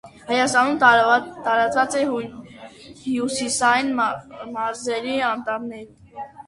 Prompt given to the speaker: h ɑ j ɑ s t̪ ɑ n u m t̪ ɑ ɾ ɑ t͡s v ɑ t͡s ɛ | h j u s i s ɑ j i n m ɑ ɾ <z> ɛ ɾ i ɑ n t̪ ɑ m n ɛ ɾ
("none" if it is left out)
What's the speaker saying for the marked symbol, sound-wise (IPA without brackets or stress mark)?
z